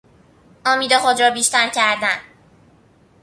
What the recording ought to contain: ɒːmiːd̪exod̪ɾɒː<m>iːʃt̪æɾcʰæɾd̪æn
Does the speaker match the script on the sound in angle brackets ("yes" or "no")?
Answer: no